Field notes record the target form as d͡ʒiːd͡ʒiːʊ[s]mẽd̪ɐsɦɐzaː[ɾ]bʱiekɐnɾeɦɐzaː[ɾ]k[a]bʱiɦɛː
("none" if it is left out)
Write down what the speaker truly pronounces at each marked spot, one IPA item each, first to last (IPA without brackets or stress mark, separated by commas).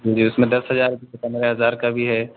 s, ɾ, ɾ, a